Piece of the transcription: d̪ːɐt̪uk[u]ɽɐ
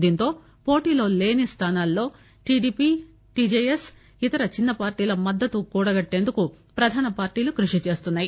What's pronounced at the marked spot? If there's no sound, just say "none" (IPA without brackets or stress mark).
uː